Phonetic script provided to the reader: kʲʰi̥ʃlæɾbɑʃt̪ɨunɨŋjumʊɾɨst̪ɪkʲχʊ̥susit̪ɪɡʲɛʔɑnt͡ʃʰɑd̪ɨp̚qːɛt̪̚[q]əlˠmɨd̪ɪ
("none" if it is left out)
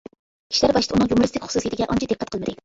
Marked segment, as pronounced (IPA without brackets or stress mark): q